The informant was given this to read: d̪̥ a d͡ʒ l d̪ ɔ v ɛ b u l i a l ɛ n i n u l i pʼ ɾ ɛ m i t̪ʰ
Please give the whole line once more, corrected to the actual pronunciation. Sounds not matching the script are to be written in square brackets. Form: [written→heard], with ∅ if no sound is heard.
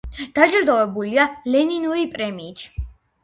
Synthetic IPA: d̪̥ a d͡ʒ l d̪ ɔ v ɛ b u l i a l ɛ n i n u [l→ɾ] i pʼ ɾ ɛ m [i→iː] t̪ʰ